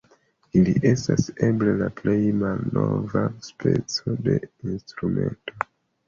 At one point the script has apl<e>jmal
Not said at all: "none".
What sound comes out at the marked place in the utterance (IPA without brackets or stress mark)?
e